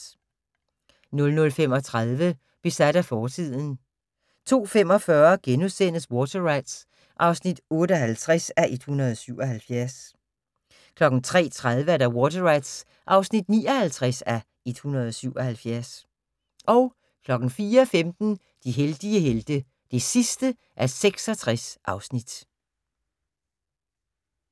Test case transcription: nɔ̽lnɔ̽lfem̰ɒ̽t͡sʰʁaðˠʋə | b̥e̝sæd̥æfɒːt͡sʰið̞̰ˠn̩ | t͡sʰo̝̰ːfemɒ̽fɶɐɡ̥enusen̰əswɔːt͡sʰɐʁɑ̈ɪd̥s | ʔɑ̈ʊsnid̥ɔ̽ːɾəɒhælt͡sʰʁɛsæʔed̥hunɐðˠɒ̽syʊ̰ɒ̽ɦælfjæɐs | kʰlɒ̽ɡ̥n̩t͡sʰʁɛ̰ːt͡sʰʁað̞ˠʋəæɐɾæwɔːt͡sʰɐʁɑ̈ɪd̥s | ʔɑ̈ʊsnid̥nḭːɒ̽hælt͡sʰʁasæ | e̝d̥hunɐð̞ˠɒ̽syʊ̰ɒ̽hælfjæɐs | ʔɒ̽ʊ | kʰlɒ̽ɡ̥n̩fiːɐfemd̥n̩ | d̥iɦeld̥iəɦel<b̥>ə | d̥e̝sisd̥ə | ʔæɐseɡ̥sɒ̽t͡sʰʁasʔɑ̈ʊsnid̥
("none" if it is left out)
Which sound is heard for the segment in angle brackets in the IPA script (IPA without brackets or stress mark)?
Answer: d̥